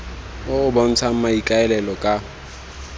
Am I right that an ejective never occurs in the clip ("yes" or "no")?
no